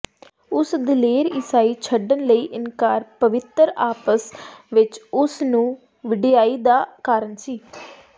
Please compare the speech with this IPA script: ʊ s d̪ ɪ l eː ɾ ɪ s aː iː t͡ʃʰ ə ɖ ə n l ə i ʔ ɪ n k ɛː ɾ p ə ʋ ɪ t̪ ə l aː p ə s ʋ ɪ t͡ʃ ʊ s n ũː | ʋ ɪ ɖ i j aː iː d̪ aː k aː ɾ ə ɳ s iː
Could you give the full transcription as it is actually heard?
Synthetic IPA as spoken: ʊ s d̪ ɪ l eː ɾ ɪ s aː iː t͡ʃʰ ə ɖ ə n l ə iː ʔ ɪ n k aː ɾ p ə ʋ ɪ t̪ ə ɾ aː p ə s ʋ ɪ t͡ʃ ʊ s n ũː | ʋ ɪ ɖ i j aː iː d̪ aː k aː ɾ ə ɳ s iː